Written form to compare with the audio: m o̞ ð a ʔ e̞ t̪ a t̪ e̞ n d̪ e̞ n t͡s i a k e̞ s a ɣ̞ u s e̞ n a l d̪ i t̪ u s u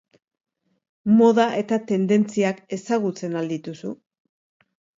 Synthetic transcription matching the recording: m o̞ ð a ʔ e̞ t̪ a t̪ e̞ n d̪ e̞ n t͡s i a k e̞ s a ɣ̞ u t͡s e̞ n a l d̪ i t̪ u s u